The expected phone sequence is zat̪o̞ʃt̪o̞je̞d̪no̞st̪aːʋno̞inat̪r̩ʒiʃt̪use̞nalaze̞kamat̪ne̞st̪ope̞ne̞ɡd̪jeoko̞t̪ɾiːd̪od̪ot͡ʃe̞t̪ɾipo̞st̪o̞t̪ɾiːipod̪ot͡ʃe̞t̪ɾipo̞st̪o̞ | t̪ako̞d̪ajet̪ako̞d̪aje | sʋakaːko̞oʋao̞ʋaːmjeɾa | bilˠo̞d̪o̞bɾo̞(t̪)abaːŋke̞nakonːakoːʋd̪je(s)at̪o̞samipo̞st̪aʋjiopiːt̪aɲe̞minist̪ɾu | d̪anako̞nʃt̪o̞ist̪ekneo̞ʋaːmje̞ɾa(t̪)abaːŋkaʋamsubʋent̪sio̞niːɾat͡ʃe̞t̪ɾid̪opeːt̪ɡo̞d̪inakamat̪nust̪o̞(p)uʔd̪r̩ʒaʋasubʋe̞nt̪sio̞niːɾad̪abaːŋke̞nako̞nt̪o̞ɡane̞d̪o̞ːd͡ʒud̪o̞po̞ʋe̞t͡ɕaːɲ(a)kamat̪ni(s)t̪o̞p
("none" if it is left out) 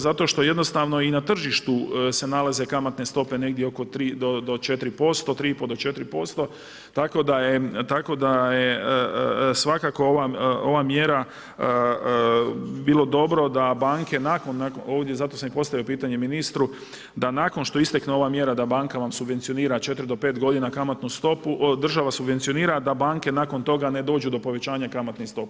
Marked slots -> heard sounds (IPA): d̪, z, d̪, p, a, s

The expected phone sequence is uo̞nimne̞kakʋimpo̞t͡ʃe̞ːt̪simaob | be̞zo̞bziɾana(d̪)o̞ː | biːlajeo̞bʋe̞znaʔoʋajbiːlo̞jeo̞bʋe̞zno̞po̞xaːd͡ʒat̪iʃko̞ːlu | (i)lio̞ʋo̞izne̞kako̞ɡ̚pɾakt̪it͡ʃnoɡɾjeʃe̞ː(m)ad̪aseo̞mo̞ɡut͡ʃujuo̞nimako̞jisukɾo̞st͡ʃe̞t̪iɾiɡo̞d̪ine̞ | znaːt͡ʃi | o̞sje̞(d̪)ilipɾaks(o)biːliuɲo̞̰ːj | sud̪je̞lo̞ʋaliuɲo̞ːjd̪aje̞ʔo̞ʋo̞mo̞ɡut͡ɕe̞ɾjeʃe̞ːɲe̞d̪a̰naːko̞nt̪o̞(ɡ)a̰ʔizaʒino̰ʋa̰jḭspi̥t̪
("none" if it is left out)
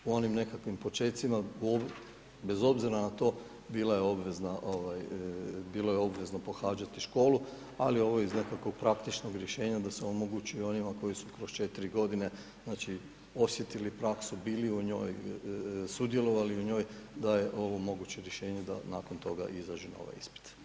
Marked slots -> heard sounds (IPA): t̪, a, ɲ, t̪, u, ɡ

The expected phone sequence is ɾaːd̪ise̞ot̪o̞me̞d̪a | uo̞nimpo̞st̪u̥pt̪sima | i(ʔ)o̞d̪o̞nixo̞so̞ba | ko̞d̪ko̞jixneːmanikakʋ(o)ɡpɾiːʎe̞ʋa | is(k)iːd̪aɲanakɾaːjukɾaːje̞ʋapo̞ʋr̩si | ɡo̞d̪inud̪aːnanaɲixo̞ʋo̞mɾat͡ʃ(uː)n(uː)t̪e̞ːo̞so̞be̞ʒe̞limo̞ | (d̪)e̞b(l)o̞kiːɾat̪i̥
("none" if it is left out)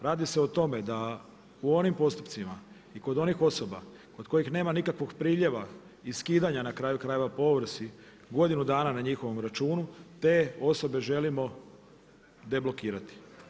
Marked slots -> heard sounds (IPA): k, o, k, uː, u, d̪, l

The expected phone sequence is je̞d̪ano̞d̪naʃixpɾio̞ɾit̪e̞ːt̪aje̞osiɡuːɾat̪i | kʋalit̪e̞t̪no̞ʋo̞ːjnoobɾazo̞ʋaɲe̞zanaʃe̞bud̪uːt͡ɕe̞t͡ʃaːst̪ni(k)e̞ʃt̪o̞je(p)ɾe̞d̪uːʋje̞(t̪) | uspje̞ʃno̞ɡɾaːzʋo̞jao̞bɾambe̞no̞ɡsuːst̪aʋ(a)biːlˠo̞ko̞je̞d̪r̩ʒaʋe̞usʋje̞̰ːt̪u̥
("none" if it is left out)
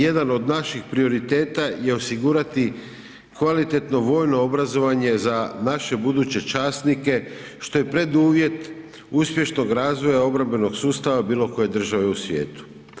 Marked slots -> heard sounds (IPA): k, p, t̪, a

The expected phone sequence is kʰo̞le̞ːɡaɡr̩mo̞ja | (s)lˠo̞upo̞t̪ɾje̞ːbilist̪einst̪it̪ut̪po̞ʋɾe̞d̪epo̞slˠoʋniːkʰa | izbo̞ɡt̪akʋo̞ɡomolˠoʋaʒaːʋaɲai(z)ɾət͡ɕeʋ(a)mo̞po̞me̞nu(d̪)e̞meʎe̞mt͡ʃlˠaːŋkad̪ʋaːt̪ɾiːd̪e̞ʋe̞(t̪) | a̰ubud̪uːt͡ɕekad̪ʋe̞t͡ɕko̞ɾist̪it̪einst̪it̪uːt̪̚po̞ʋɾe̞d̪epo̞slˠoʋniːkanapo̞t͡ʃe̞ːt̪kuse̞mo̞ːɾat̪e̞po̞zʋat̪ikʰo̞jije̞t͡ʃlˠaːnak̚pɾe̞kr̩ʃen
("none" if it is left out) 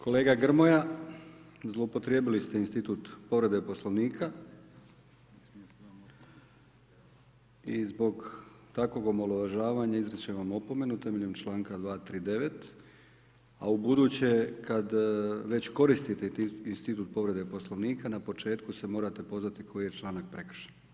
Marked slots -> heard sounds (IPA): z, z, a, t̪, t̪

